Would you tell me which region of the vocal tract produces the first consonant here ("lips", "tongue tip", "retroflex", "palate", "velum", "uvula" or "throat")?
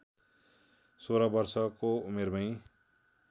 tongue tip